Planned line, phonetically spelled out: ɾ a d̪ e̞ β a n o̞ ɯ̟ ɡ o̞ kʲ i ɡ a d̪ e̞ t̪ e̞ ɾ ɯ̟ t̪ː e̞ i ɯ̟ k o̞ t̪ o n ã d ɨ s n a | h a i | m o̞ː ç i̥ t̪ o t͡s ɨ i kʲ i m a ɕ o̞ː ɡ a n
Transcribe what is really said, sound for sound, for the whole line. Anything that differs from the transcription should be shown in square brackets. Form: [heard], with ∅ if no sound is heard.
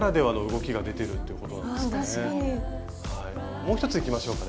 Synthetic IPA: ɾ a d̪ e̞ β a n o̞ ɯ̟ ɡ o̞ kʲ i ɡ a d̪ e̞ t̪ e̞ ɾ ɯ̟ t̪ː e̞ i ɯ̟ k o̞ t̪ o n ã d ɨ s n [e] | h a i | m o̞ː ç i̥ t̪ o t͡s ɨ i kʲ i m a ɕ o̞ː [k] a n